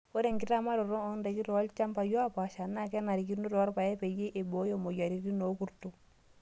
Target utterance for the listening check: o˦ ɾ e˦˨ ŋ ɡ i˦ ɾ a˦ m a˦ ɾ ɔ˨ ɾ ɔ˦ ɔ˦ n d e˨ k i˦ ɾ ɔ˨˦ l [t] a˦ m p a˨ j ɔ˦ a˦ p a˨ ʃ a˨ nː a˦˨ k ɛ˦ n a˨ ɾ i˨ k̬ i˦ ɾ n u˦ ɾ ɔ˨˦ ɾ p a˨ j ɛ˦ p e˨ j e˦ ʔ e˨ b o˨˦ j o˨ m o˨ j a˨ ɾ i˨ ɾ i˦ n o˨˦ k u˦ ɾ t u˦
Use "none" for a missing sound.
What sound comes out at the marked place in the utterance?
t͡ʃ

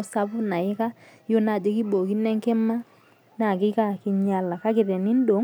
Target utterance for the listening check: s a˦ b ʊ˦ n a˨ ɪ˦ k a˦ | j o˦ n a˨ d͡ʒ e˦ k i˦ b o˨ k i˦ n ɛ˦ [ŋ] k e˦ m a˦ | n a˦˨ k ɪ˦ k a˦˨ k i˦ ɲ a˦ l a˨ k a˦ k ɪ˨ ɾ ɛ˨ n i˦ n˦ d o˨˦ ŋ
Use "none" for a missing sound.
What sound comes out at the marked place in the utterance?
ŋ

